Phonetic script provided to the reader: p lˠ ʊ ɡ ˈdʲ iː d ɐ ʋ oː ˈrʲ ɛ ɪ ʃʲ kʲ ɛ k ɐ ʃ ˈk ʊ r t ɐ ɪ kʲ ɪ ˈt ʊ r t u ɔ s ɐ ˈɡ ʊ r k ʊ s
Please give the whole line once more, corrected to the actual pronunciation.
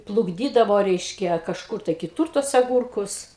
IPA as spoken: p lˠ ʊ ɡ ˈdʲ iː d ɐ ʋ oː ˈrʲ ɛ ɪ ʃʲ kʲ ɛ k ɐ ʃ ˈk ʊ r t ɐ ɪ kʲ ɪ ˈt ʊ r t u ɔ s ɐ ˈɡ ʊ r k ʊ s